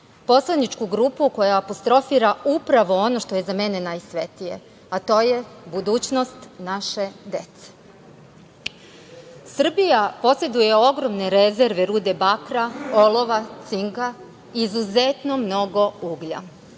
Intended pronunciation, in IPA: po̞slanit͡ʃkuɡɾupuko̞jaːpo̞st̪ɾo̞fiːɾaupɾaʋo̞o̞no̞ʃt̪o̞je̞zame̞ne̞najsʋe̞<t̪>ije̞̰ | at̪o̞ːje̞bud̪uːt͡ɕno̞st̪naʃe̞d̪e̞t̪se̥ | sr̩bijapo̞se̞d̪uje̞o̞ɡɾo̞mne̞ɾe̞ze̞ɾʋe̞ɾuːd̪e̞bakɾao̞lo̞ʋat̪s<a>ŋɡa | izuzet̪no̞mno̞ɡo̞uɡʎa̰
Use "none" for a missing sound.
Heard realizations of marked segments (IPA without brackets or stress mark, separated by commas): t̪, i